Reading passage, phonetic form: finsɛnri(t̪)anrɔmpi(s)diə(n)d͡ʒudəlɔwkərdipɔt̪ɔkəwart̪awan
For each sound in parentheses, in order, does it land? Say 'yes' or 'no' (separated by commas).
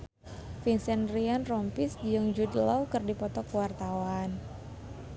no, yes, no